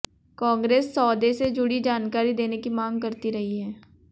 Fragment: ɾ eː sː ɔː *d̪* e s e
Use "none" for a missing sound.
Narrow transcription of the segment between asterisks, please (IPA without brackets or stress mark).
d̪